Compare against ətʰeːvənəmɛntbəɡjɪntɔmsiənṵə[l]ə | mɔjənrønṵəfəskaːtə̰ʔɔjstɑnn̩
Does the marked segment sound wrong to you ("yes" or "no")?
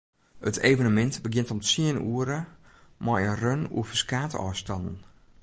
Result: yes